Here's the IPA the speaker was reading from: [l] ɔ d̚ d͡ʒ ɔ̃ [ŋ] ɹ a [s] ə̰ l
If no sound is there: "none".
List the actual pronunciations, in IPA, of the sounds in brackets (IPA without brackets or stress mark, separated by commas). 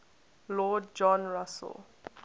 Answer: l, n, s